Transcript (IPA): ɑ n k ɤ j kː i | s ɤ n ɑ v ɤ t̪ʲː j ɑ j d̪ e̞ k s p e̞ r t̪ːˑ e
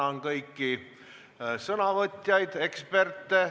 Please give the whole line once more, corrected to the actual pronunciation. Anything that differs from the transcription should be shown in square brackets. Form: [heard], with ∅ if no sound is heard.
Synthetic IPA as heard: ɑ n k ɤ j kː i | s ɤ n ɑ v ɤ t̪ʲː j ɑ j d̪ e̞ k s p e̞ r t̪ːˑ e